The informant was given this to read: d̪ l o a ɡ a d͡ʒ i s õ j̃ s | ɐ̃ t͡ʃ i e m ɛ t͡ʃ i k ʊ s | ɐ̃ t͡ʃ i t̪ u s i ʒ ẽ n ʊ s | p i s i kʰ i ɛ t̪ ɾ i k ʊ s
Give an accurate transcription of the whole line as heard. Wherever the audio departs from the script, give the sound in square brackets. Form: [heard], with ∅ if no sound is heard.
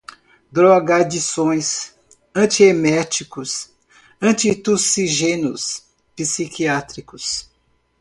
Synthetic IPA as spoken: d̪ [ɾ] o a ɡ a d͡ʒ i s õ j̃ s | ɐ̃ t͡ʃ i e m ɛ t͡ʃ i k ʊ s | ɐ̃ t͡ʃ i t̪ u s i ʒ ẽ n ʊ s | p i s i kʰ i [a] t̪ ɾ i k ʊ s

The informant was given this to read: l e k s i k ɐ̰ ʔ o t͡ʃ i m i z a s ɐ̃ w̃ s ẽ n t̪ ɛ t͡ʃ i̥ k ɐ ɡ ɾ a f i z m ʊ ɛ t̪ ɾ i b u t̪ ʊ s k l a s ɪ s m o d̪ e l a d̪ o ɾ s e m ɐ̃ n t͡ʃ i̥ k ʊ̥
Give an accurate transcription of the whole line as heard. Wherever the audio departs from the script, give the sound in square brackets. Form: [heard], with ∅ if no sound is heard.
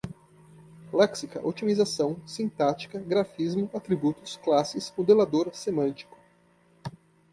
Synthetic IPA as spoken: l [ɛ] k s i k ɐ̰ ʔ o t͡ʃ i m i z a s ɐ̃ w̃ s [ĩ] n t̪ [a] t͡ʃ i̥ k ɐ ɡ ɾ a f i z m ʊ [a] t̪ ɾ i b u t̪ ʊ s k l a s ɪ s m o d̪ e l a d̪ o ɾ s e m ɐ̃ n t͡ʃ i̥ k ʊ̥

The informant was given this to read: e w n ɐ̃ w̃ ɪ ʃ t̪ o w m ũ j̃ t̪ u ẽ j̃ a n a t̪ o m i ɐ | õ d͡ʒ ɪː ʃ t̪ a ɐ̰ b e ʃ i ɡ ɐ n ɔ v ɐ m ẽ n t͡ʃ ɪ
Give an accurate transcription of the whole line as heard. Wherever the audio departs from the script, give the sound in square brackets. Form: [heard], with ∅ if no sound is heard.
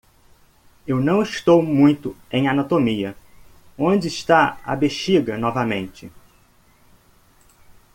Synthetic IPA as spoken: e w n ɐ̃ w̃ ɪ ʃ t̪ o w m ũ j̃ t̪ [ʊ] ẽ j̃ a n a t̪ o m i ɐ | õ d͡ʒ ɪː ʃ t̪ a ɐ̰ b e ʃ i ɡ ɐ n ɔ v ɐ m ẽ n t͡ʃ ɪ

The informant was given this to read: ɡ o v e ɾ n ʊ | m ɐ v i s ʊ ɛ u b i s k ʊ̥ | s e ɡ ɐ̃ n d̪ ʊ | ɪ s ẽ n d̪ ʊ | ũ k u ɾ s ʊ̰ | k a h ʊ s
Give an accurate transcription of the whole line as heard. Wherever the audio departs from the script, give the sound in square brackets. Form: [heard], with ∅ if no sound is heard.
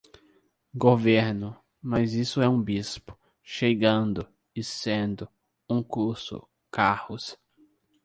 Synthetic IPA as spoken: ɡ o v e ɾ n ʊ | m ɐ [z] i s ʊ ɛ [ũ] b i s [p] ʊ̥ | [ʃ] e ɡ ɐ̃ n d̪ ʊ | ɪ s ẽ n d̪ ʊ | ũ k u ɾ s ʊ̰ | k a h ʊ s

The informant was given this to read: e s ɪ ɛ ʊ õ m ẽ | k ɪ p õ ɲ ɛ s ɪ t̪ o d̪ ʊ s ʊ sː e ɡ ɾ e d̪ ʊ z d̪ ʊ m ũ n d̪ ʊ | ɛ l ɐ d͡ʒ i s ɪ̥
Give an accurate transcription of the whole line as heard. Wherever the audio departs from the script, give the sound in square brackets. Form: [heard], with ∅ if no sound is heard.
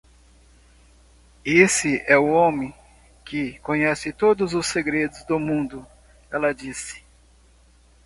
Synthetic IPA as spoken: e s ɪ ɛ ʊ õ m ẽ | k ɪ [k] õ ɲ ɛ s ɪ t̪ o d̪ ʊ [z] ʊ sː e ɡ ɾ e d̪ ʊ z d̪ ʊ m ũ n d̪ ʊ | ɛ l ɐ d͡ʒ i s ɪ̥

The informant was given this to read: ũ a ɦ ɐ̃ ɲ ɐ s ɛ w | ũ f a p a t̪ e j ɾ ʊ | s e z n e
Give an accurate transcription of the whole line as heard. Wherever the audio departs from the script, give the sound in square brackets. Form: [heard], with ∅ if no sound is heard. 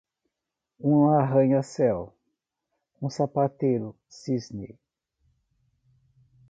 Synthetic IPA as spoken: ũ a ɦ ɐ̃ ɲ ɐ s ɛ w | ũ [s] a p a t̪ e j ɾ ʊ | s [i] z n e

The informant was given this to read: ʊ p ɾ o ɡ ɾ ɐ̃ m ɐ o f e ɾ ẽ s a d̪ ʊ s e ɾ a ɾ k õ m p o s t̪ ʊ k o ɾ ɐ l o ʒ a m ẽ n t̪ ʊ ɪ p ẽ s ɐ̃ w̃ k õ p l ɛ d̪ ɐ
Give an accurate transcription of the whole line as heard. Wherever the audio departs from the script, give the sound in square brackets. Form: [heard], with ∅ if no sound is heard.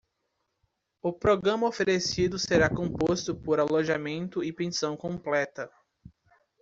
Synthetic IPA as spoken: ʊ p ɾ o ɡ ɾ ɐ̃ m ɐ o f e ɾ [e] s [i] d̪ ʊ s e ɾ a [∅] k õ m p o s t̪ ʊ [p] o ɾ [a] l o ʒ a m ẽ n t̪ ʊ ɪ p ẽ s ɐ̃ w̃ k õ p l ɛ [t̪] ɐ

